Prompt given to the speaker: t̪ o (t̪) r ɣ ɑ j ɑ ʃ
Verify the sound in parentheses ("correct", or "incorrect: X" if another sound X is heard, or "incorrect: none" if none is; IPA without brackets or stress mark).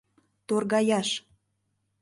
incorrect: none